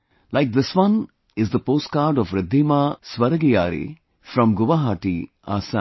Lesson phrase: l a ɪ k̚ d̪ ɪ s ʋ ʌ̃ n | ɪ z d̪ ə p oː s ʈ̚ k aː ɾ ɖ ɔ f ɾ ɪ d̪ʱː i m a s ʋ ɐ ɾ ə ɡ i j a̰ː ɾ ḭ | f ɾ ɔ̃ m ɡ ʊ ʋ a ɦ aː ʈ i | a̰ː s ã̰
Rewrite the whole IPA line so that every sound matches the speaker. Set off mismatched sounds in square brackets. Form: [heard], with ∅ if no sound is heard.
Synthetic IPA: l a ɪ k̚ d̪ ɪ s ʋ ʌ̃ n | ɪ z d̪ ə p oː s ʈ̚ k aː ɾ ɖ ɔ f ɾ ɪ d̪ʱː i m a s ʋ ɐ ɾ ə ɡ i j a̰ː ɾ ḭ | f ɾ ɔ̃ m ɡ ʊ ʋ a ɦ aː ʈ i | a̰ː s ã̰